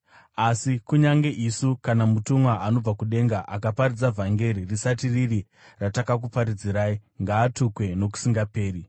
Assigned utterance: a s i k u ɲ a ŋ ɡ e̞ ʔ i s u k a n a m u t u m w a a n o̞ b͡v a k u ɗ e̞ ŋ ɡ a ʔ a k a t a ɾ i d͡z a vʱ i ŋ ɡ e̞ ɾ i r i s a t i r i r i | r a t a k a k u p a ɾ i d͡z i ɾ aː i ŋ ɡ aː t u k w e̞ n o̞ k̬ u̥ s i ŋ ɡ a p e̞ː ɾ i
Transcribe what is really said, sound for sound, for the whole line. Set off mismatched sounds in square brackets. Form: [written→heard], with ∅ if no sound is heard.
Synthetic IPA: a s i k u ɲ a ŋ ɡ e̞ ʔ i s u k a n a m u t u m w a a n o̞ b͡v a k u ɗ e̞ ŋ ɡ a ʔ a k a [t→p] a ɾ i d͡z a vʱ [i→a] ŋ ɡ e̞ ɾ i r i s a t i r i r i | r a t a k a k u p a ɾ i d͡z i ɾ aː i ŋ ɡ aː t u k w e̞ n o̞ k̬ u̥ s i ŋ ɡ a p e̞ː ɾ i

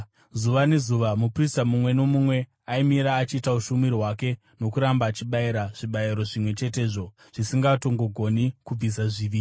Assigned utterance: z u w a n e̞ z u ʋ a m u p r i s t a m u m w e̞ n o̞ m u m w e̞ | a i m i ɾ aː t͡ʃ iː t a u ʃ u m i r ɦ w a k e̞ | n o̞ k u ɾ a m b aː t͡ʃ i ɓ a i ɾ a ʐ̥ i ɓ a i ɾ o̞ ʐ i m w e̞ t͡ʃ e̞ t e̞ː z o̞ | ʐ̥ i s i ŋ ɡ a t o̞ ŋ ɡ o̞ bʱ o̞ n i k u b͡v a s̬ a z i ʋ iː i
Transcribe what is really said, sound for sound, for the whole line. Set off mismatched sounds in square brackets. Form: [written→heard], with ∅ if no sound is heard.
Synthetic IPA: z u [w→ʋ] a n e̞ z u ʋ a m u p r i s t a m u m w e̞ n o̞ m u m w e̞ | a i m i ɾ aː t͡ʃ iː t a u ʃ u m i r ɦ w a k e̞ | n o̞ k u ɾ a m b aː t͡ʃ i ɓ a i ɾ a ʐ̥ i ɓ a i ɾ o̞ ʐ i m w e̞ t͡ʃ e̞ t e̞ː [z→ʐ] o̞ | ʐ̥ i s i ŋ ɡ a t o̞ ŋ ɡ o̞ [bʱ→ɡʱ] o̞ n i k u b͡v [a→i] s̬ a [z→ʐ] i ʋ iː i

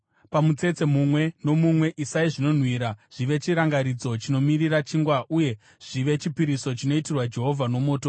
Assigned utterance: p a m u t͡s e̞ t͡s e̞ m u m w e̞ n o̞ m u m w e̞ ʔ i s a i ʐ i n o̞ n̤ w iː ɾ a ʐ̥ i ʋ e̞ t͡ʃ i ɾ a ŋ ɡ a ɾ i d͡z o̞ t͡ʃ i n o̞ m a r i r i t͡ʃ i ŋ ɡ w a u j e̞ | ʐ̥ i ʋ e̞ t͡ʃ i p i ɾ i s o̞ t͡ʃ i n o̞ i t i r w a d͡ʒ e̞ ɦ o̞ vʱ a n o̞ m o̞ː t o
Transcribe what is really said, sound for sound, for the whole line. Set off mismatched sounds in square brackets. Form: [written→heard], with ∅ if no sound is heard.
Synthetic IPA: p a m u t͡s e̞ t͡s e̞ m u m w e̞ n o̞ m u m w e̞ ʔ i s a i ʐ i n o̞ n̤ w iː ɾ a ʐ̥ i ʋ e̞ t͡ʃ i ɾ a ŋ ɡ a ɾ i d͡z o̞ t͡ʃ i n o̞ m [a→i] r i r [i→a] t͡ʃ i ŋ ɡ w a u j e̞ | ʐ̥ i ʋ e̞ t͡ʃ i p i ɾ i s o̞ t͡ʃ i n o̞ i t i r w a d͡ʒ e̞ ɦ o̞ vʱ a n o̞ m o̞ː t o

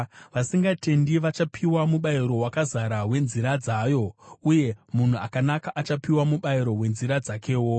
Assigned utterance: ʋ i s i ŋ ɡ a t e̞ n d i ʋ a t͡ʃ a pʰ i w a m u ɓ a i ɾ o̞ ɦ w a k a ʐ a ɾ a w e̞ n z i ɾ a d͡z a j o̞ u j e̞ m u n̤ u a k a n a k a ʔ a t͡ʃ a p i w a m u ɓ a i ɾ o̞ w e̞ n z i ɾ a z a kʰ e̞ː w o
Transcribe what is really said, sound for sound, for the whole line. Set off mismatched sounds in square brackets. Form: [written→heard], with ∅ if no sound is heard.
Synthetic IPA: ʋ [i→a] s i ŋ ɡ a t e̞ n d i ʋ a t͡ʃ a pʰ i w a m u ɓ a i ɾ o̞ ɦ w a k a [ʐ→z] a ɾ a w e̞ n z i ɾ a d͡z a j o̞ u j e̞ m u n̤ u a k a n a k a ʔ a t͡ʃ a p i w a m u ɓ a i ɾ o̞ w e̞ n z i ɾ a [z→d͡z] a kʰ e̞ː w o

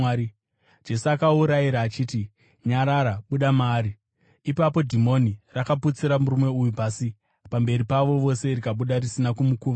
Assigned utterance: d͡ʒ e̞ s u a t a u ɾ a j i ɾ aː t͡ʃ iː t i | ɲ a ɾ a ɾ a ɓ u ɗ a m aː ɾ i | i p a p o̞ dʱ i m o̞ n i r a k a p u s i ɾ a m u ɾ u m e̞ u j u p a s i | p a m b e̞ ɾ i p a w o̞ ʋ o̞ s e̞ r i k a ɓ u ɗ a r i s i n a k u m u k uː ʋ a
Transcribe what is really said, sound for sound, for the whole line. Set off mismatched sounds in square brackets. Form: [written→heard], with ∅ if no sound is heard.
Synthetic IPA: d͡ʒ e̞ s u a [t→k] a u ɾ a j i ɾ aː t͡ʃ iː t i | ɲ a ɾ a ɾ a ɓ u ɗ a m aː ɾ i | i p a p o̞ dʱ i m o̞ n i r a k a p u [s→t͡s] i ɾ a m u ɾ u m e̞ u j u p a s i | p a m b e̞ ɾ i p a [w→ʋ] o̞ ʋ o̞ s e̞ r i k a ɓ u ɗ a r i s i n a k u m u k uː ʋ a

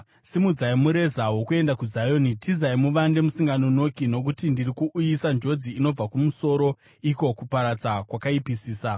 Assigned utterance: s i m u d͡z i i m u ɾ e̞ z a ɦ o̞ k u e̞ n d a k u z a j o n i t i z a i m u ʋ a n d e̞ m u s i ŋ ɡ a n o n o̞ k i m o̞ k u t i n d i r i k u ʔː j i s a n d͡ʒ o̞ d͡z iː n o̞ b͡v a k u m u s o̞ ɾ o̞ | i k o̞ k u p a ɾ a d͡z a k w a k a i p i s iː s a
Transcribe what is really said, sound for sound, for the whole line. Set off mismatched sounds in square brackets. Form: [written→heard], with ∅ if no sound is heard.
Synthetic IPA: s i m u d͡z [i→a] i m u ɾ e̞ z a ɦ o̞ k u e̞ n d a k u z a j o n i t i z a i m u ʋ a n d e̞ m u s i ŋ ɡ a n o n o̞ k i [m→n] o̞ k u t i n d i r i k u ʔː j i s a n d͡ʒ o̞ d͡z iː n o̞ b͡v a k u m u s o̞ ɾ o̞ | i k o̞ k u p a ɾ a d͡z a k w a k a i p i s iː s a

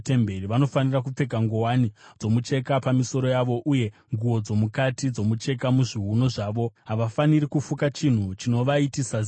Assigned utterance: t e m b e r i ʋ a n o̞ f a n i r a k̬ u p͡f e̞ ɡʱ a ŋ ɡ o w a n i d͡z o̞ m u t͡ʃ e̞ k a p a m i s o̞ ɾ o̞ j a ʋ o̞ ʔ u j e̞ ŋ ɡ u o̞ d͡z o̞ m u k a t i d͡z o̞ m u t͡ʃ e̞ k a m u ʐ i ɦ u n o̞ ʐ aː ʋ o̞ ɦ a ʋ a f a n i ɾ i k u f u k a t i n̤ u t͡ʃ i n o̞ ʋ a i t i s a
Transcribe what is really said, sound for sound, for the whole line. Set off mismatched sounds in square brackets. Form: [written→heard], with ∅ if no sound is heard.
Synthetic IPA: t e m b e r i ʋ a n o̞ f a n i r a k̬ u p͡f e̞ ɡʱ a ŋ ɡ o w a n i d͡z o̞ m u t͡ʃ e̞ k a p a m i s o̞ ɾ o̞ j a ʋ o̞ ʔ u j e̞ ŋ ɡ u o̞ d͡z o̞ m u k a t i d͡z o̞ m u t͡ʃ e̞ k a m u ʐ i ɦ u n o̞ ʐ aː ʋ o̞ ɦ a ʋ a f a n i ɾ i k u f u k a [t→t͡ʃ] i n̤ u t͡ʃ i n o̞ ʋ a i t i s a

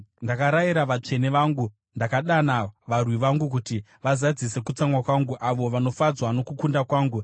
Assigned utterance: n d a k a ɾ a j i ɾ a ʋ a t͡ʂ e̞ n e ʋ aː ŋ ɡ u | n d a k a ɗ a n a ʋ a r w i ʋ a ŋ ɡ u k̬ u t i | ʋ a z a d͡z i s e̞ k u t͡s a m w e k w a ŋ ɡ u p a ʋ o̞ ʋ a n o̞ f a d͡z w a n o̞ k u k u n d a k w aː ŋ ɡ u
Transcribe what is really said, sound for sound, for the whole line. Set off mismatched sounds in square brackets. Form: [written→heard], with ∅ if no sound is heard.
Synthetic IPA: n d a k a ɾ a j i ɾ a ʋ a t͡ʂ e̞ n e ʋ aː ŋ ɡ u | n d a k a ɗ a n a ʋ a r w i ʋ a ŋ ɡ u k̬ u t i | ʋ a z a d͡z i s e̞ k u t͡s a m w [e→a] k w a ŋ ɡ u [p→ʔ] a ʋ o̞ ʋ a n o̞ f a d͡z w a n o̞ k u k u n d a k w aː ŋ ɡ u

